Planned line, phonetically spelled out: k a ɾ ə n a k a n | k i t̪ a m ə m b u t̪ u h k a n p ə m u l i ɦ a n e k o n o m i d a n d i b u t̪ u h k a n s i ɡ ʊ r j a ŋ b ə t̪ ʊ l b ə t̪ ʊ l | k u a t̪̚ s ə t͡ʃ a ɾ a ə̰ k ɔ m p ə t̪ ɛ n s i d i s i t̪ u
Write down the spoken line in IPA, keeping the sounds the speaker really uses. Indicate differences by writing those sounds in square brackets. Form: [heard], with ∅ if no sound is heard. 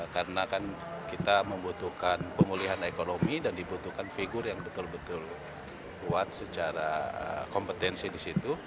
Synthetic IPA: k a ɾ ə n a k a n | k i t̪ a m ə m b u t̪ u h k a n p ə m u l i ɦ a n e k o n o m i d a n d i b u t̪ u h k a n [f] i ɡ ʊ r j a ŋ b ə t̪ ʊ l b ə t̪ ʊ l | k u a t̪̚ s ə t͡ʃ a ɾ a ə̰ k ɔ m p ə t̪ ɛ n s i d i s i t̪ u